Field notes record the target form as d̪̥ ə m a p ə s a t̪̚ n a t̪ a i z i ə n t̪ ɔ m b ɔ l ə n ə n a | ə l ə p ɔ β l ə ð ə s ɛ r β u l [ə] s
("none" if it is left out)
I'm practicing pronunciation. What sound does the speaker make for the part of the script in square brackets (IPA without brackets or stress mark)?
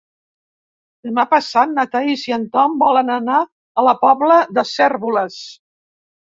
ə